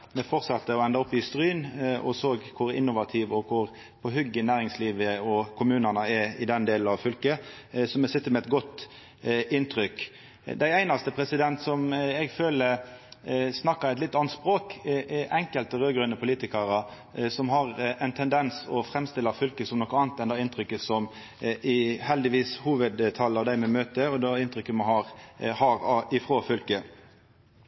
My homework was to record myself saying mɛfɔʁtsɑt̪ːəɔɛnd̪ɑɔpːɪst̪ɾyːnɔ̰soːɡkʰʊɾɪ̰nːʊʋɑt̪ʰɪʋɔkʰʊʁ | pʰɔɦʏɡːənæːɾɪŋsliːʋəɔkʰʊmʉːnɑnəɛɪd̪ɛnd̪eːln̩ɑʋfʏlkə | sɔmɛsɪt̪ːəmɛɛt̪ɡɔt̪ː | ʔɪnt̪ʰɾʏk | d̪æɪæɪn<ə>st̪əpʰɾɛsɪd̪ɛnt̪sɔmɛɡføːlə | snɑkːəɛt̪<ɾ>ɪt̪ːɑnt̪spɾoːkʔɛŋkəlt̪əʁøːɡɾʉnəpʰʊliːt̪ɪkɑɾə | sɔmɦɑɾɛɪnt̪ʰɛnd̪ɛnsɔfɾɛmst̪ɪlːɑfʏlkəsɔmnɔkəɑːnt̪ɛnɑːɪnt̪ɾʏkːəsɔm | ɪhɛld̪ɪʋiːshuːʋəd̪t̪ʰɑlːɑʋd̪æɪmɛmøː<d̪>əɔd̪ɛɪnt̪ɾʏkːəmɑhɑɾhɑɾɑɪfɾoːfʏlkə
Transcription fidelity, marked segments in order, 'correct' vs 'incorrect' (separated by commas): incorrect, incorrect, incorrect